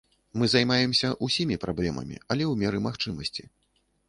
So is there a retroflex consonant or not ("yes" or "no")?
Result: yes